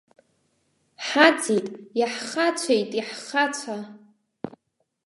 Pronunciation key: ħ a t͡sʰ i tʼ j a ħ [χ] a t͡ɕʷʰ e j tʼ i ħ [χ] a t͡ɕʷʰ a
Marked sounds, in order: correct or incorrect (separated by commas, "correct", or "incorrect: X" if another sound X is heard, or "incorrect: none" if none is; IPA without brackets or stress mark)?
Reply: correct, correct